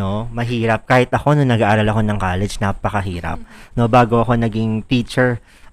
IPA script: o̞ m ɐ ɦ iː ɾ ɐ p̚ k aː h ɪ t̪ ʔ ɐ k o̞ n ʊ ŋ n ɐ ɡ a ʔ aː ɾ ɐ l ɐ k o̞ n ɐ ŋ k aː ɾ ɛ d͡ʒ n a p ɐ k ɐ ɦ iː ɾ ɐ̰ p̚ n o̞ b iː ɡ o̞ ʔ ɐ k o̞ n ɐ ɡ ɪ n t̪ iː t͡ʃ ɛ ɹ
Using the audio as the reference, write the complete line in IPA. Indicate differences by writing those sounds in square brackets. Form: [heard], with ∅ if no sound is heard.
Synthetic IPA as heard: o̞ m ɐ ɦ iː ɾ ɐ p̚ k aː h ɪ t̪ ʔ ɐ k o̞ n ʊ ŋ n ɐ ɡ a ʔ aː ɾ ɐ l ɐ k o̞ n ɐ ŋ k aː [l] ɛ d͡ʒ n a p ɐ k ɐ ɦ iː ɾ ɐ̰ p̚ n o̞ b [aː] ɡ o̞ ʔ ɐ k o̞ n ɐ ɡ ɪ [ŋ] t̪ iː t͡ʃ ɛ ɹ